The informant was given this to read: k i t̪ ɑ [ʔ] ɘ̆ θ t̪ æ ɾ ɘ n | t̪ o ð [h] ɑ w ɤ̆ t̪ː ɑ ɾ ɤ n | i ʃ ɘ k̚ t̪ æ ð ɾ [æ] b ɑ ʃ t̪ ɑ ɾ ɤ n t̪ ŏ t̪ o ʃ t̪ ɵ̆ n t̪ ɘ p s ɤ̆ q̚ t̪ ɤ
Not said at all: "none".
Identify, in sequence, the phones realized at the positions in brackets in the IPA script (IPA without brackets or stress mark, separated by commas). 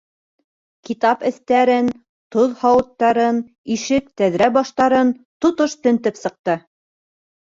p, h, æ